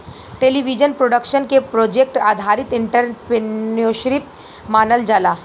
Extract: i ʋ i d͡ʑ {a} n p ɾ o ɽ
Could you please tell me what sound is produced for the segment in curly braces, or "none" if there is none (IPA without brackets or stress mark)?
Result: ə